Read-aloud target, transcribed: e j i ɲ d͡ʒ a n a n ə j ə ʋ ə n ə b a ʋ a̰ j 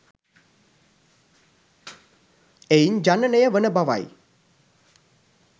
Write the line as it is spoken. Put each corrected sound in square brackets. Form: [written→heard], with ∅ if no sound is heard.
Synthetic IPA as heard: e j i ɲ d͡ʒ a n [a→ə] n ə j ə ʋ ə n ə b a ʋ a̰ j